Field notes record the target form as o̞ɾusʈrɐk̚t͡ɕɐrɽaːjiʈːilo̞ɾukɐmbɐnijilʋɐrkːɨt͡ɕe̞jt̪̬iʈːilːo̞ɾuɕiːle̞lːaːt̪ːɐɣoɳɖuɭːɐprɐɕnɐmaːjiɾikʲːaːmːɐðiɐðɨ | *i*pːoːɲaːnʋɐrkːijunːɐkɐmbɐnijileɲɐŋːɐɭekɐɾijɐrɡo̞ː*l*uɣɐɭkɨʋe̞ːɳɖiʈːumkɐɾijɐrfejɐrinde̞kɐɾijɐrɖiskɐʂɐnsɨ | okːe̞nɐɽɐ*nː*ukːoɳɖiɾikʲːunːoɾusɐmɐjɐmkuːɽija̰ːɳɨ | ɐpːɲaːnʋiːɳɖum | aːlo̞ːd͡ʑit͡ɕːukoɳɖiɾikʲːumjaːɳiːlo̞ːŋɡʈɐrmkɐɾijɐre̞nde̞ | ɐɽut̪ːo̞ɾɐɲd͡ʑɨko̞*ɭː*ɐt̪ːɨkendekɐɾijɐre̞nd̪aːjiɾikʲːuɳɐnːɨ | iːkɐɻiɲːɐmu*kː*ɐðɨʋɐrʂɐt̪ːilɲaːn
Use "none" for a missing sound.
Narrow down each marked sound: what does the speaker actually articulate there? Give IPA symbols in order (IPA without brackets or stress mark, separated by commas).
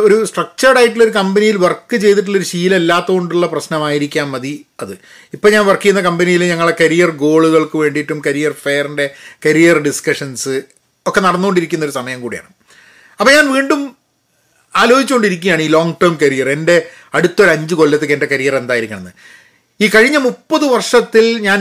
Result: i, ɭ, nː, lː, pː